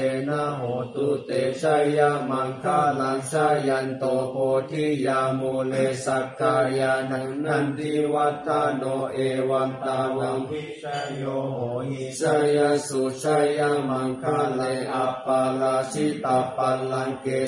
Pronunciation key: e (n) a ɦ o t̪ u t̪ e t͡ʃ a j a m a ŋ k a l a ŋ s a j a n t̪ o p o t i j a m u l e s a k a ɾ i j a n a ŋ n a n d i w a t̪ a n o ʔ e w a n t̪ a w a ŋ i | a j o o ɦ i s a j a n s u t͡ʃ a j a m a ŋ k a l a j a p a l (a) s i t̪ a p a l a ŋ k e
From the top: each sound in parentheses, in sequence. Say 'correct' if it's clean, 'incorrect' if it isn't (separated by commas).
correct, correct